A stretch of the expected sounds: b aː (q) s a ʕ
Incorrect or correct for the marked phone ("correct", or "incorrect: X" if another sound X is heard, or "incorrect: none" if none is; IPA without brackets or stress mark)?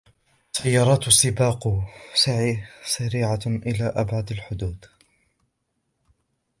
correct